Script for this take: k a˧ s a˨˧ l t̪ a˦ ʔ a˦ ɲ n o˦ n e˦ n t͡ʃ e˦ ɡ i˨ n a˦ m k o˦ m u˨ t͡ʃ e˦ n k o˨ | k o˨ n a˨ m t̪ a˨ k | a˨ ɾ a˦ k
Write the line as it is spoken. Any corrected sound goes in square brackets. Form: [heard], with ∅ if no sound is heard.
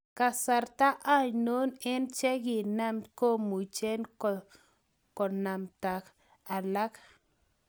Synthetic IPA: k a˧ s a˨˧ [ɾ] t̪ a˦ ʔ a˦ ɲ n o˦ n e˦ n t͡ʃ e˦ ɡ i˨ n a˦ m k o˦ m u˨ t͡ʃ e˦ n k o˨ | k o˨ n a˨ m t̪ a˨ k | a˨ [l] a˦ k

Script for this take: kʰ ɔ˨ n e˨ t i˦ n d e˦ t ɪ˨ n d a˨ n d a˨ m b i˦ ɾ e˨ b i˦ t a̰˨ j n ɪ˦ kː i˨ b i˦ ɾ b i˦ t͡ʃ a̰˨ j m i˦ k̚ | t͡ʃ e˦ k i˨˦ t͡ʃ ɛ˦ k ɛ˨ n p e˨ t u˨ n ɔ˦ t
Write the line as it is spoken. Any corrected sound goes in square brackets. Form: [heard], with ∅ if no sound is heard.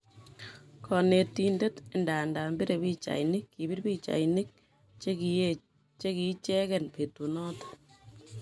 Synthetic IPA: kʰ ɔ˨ n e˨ t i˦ n d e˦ t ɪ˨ n d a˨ n d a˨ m b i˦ ɾ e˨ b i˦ [t͡ʃ] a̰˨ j n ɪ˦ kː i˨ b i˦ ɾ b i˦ t͡ʃ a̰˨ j [n] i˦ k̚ | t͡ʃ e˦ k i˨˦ t͡ʃ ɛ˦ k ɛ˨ n p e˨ t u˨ n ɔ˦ t

